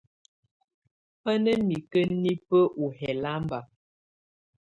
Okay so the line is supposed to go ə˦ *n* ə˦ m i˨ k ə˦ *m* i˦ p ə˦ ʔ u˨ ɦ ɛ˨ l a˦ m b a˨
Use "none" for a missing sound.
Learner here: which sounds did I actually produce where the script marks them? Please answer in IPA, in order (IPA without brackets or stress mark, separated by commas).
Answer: n, n